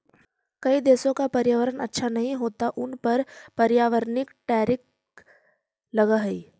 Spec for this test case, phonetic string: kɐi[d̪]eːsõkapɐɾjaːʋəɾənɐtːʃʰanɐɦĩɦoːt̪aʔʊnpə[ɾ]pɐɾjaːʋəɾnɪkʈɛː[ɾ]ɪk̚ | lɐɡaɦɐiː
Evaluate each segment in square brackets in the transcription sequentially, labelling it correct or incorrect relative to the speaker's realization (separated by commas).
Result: correct, correct, correct